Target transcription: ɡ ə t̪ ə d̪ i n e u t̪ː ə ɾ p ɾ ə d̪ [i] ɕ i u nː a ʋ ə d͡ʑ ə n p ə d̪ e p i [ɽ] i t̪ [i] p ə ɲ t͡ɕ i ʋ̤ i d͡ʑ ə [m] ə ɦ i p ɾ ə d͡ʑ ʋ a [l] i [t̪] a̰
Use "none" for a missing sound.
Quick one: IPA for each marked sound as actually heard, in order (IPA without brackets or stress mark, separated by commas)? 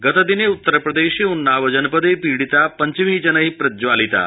e, ɽ, a, n, l, t̪